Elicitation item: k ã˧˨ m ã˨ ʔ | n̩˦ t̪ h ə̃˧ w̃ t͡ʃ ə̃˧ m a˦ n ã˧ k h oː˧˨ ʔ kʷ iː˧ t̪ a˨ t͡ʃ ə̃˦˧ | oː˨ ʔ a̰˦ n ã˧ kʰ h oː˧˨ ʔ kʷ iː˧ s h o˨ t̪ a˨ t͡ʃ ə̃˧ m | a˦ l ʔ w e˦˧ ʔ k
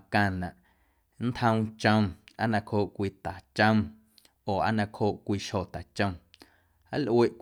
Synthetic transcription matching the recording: k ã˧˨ n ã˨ ʔ | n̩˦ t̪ h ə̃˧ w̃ t͡ʃ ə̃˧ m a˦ n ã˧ k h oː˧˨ ʔ kʷ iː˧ t̪ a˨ t͡ʃ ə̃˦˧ | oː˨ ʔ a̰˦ n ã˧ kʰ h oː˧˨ ʔ kʷ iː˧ ʃ h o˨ t̪ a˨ t͡ʃ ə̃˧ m | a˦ l ʔ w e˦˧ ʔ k

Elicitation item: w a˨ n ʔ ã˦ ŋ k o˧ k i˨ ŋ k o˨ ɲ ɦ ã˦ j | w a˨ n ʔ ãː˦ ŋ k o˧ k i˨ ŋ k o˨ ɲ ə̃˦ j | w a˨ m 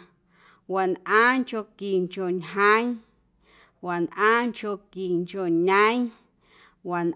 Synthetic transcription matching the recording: w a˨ n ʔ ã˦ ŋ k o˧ k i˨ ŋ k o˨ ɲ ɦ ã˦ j | w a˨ n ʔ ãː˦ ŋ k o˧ k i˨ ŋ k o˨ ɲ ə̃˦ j | w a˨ n

